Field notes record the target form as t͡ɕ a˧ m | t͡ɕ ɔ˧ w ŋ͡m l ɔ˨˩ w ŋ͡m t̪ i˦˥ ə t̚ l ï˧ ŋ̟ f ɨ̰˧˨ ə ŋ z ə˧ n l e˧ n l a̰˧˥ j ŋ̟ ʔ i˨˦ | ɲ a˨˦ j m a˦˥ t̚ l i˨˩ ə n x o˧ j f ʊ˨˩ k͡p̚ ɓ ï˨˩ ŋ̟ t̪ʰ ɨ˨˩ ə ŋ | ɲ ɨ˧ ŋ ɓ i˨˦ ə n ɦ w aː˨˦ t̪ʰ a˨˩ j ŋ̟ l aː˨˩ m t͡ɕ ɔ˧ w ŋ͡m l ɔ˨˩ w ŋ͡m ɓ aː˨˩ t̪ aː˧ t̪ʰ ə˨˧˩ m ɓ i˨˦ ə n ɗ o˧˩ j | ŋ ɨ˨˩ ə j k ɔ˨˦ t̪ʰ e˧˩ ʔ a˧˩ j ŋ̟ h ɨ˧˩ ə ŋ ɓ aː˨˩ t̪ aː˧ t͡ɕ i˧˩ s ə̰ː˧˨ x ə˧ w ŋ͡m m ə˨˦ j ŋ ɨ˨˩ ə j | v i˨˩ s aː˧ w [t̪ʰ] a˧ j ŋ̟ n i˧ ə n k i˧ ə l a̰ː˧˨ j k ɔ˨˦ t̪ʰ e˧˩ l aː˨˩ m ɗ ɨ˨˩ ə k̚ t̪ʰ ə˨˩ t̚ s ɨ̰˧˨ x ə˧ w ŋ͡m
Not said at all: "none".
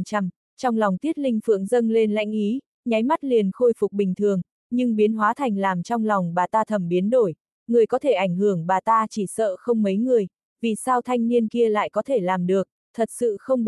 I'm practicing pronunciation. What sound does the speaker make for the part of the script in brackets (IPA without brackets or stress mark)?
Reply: t̪ʰ